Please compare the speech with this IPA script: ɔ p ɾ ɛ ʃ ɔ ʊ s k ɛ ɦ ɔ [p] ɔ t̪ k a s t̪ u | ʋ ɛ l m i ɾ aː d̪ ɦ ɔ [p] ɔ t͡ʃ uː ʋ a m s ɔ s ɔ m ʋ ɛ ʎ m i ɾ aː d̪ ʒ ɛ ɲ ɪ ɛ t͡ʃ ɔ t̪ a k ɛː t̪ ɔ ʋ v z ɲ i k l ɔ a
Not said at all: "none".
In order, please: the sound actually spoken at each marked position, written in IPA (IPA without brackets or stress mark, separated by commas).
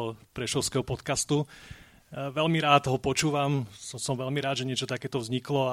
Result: p, p